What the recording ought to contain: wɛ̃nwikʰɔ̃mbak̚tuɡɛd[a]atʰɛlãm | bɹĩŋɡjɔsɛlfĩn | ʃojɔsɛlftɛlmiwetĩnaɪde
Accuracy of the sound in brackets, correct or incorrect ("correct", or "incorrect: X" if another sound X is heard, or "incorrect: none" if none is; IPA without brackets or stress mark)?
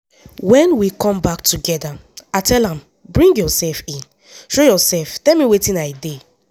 correct